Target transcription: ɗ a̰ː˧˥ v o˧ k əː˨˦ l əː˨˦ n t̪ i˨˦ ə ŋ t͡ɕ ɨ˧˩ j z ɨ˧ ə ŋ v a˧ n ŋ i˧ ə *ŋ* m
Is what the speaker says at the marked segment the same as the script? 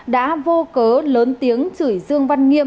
no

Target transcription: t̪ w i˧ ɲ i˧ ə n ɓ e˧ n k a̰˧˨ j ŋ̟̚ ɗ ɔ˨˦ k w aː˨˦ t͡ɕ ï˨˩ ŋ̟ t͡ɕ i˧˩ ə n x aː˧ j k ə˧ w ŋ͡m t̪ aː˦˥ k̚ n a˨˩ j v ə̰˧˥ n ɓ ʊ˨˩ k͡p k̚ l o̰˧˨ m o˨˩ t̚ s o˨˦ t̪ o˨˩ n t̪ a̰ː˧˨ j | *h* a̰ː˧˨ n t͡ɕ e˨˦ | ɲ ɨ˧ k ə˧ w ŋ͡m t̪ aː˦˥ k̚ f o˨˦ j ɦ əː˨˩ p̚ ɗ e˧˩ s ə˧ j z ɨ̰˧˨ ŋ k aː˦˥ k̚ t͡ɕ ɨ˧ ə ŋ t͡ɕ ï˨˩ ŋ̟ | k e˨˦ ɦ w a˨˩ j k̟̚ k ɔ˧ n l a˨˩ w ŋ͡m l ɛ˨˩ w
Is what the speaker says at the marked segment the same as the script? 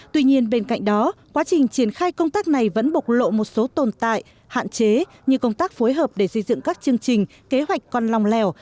yes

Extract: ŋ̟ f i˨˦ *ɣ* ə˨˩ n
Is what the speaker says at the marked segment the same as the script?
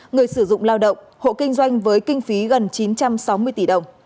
yes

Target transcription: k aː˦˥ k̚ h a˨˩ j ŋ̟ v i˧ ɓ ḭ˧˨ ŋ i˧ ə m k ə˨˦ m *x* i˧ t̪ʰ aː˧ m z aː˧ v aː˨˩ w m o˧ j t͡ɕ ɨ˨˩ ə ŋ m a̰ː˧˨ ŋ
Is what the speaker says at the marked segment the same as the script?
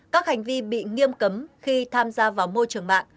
yes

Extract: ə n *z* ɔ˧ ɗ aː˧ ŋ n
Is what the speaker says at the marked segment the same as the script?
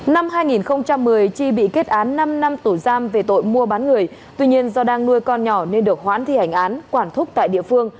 yes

